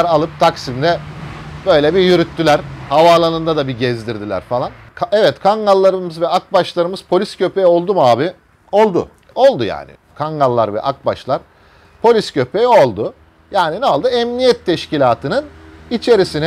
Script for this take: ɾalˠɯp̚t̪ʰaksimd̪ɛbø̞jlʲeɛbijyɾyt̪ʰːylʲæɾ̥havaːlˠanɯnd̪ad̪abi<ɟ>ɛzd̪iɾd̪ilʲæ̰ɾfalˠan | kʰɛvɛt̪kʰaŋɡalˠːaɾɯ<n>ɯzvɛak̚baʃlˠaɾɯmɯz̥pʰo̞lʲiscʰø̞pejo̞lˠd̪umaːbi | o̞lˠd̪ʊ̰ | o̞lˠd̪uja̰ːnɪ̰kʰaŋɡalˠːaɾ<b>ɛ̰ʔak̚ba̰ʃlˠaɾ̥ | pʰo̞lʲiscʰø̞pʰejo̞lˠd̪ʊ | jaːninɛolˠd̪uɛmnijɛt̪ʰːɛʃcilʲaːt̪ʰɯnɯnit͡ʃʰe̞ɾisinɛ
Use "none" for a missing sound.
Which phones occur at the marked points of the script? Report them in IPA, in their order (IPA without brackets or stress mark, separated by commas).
ɟ, m, v